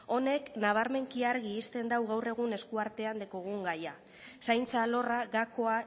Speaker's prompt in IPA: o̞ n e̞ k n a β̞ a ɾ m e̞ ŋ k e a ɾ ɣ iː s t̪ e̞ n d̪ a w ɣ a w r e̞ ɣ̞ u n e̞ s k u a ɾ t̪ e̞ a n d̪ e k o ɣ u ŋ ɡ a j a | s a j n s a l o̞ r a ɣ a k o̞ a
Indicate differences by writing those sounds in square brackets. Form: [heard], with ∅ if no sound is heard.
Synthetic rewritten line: o̞ n e̞ k n a β̞ a ɾ m e̞ ŋ k [i] a ɾ ɣ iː s t̪ e̞ n d̪ a w ɣ a w r e̞ ɣ̞ u n e̞ s k u a ɾ t̪ e̞ a n d̪ e k o ɣ u ŋ ɡ a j a | s a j n [t͡s] a l o̞ r a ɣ a k o̞ a